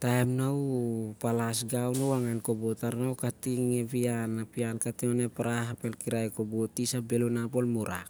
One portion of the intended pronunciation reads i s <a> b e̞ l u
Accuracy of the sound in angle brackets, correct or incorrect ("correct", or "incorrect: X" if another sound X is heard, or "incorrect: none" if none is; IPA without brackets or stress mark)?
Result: correct